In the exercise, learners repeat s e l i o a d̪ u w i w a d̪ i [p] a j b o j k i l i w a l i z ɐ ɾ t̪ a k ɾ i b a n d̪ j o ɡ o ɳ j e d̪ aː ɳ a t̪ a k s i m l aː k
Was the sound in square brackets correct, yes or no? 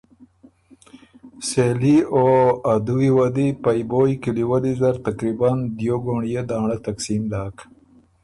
yes